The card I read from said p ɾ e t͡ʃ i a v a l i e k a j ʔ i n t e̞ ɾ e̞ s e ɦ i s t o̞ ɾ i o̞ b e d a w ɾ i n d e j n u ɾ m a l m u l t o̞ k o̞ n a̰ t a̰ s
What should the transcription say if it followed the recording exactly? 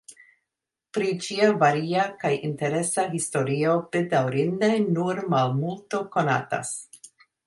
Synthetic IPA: p ɾ i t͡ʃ i a v a ɾ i a k a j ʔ i n t e̞ ɾ e̞ s a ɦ i s t o̞ ɾ i o̞ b e d a w ɾ i n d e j n u ɾ m a l m u l t o̞ k o̞ n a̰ t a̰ s

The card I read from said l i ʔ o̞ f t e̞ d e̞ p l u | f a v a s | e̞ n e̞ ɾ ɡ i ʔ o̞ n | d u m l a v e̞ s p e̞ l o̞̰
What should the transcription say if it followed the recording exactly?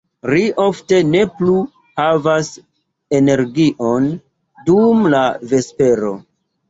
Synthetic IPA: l i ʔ o̞ f t e̞ n e̞ p l u | h a v a s | e̞ n e̞ ɾ ɡ i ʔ o̞ n | d u m l a v e̞ s p e̞ ɾ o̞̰

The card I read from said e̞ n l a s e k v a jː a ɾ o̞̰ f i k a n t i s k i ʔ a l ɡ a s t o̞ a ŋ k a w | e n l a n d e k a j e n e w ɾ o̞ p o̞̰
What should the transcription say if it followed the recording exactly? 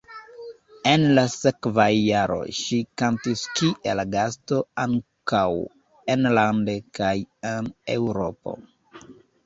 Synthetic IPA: e̞ n l a s e k v a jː a ɾ o̞̰ ʃ i k a n t i s k i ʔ e l ɡ a s t o̞ a ŋ k a w | e n l a n d e k a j e n e w ɾ o̞ p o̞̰

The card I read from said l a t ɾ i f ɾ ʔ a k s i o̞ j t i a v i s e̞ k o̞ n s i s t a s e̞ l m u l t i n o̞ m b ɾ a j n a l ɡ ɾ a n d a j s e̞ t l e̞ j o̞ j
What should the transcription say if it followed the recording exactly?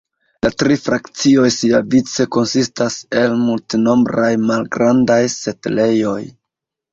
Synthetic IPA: l a t ɾ i f ɾ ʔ a k t͡s i o̞ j s i a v i t͡s e̞ k o̞ n s i s t a s e̞ l m u l t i n o̞ m b ɾ a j m a l ɡ ɾ a n d a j s e̞ t l e̞ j o̞ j

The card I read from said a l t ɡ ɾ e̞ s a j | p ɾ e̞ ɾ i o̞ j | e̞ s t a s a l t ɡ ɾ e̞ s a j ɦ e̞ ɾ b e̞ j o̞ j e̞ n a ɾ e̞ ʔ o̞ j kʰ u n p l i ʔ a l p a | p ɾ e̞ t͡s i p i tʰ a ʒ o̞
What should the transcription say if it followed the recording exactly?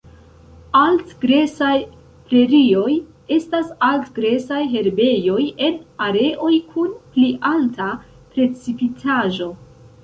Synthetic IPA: a l t ɡ ɾ e̞ s a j | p ɾ e̞ ɾ i o̞ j | e̞ s t a s a l t ɡ ɾ e̞ s a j ɦ e̞ ɾ b e̞ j o̞ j e̞ n a ɾ e̞ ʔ o̞ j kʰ u n p l i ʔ a l t a | p ɾ e̞ t͡s i p i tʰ a ʒ o̞

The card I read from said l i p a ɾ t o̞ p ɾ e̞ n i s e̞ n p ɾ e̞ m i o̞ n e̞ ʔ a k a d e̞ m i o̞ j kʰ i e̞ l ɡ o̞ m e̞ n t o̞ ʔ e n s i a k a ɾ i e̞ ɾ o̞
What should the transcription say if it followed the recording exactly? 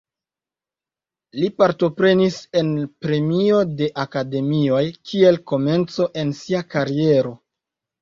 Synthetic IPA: l i p a ɾ t o̞ p ɾ e̞ n i s e̞ n p ɾ e̞ m i o̞ d e̞ ʔ a k a d e̞ m i o̞ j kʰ i e̞ l k o̞ m e̞ n t͡s o̞ ʔ e n s i a k a ɾ i e̞ ɾ o̞

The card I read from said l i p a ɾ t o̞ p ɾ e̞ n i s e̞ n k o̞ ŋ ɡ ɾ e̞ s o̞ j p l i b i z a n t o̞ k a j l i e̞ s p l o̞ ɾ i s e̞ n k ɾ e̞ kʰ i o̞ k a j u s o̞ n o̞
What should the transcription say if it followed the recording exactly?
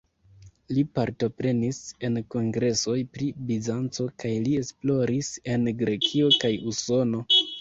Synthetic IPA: l i p a ɾ t o̞ p ɾ e̞ n i s e̞ n k o̞ ŋ ɡ ɾ e̞ s o̞ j p ɾ i b i z a n t͡s o̞ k a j l i e̞ s p l o̞ ɾ i s e̞ n ɡ ɾ e̞ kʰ i o̞ k a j u s o̞ n o̞

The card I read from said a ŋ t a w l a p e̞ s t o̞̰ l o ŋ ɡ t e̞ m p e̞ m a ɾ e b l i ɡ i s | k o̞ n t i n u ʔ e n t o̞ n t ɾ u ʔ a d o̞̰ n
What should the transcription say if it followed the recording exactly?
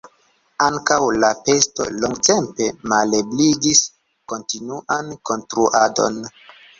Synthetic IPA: a ŋ k a w l a p e̞ s t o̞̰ l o ŋ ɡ t e̞ m p e̞ m a l e b l i ɡ i s | k o̞ n t i n u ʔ a n k o̞ n t ɾ u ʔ a d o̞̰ n

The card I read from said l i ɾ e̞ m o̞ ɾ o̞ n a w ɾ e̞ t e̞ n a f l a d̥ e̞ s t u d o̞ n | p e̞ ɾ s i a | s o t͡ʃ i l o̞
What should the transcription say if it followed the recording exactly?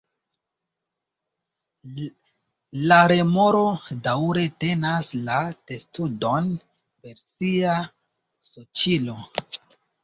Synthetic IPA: l a ɾ e̞ m o̞ ɾ o̞ d a w ɾ e̞ t e̞ n a s l a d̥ e̞ s t u d o̞ n | p e̞ ɾ s i a | s o t͡ʃ i l o̞

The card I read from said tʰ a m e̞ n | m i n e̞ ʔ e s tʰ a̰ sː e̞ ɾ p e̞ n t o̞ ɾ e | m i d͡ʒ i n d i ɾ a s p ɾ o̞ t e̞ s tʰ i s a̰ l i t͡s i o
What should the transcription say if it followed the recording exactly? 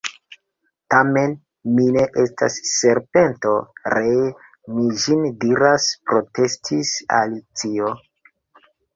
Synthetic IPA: t a m e̞ n | m i n e̞ ʔ e s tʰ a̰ sː e̞ ɾ p e̞ n t o̞ ɾ e | m i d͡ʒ i n d i ɾ a s p ɾ o̞ t e̞ s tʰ i s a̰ l i t͡s i o

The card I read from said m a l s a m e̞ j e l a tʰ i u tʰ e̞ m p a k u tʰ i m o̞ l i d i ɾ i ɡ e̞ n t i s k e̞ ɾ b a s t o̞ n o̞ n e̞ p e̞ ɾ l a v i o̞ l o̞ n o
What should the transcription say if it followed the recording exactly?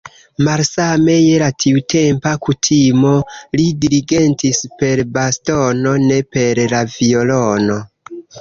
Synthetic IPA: m a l s a m e̞ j e l a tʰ i u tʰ e̞ m p a k u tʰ i m o̞ l i d i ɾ i ɡ e̞ n t i s p e̞ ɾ b a s t o̞ n o̞ n e̞ p e̞ ɾ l a v i o̞ l o̞ n o

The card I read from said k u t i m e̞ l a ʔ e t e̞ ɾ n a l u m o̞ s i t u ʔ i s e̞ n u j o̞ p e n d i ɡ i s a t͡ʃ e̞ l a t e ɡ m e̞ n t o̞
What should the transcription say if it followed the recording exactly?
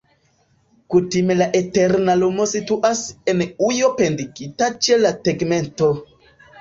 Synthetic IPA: k u t i m e̞ l a ʔ e t e̞ ɾ n a l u m o̞ s i t u ʔ a s e̞ n u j o̞ p e n d i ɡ i t a t͡ʃ e̞ l a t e ɡ m e̞ n t o̞

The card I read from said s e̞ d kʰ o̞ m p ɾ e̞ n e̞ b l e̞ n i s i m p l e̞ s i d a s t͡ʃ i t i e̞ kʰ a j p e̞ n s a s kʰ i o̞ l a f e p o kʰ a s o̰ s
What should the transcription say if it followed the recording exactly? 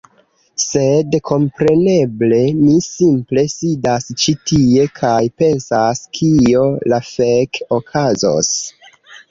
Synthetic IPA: s e̞ d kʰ o̞ m p ɾ e̞ n e̞ b l e̞ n i s i m p l e̞ s i d a s t͡ʃ i t i e̞ kʰ a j p e̞ n s a s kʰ i o̞ l a f e k o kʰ a z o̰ s

